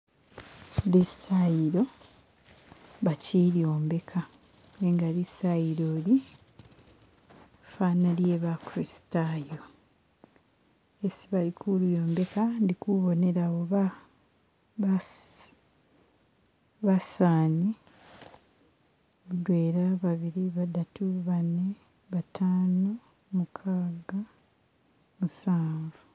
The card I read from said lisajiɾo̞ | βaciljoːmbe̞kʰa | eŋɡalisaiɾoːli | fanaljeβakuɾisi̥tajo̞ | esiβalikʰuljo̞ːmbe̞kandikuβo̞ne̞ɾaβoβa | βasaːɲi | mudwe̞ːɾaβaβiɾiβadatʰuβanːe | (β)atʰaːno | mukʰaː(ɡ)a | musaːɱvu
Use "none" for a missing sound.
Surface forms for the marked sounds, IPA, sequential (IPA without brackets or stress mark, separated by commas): β, ɡ